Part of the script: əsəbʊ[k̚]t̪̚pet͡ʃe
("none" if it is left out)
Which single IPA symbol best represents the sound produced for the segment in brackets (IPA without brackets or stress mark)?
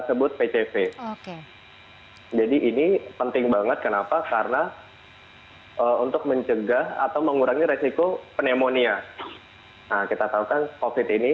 none